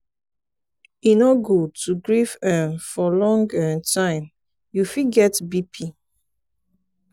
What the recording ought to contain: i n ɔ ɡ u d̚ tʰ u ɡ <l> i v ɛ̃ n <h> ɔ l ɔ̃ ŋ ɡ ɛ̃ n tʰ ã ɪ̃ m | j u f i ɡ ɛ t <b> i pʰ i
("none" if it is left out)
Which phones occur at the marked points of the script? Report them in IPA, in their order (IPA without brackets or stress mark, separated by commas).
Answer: ɹ, f, b